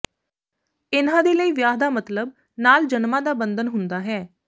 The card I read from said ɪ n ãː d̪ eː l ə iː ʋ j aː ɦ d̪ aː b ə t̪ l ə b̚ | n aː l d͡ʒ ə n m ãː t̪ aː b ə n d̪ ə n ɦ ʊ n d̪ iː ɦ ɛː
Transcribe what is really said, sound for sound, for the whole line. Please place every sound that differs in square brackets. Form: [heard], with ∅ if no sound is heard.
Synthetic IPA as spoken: ɪ n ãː d̪ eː l ə iː ʋ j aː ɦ d̪ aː [m] ə t̪ l ə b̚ | n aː l d͡ʒ ə n m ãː [d̪] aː b ə n d̪ ə n ɦ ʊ n d̪ [aː] ɦ ɛː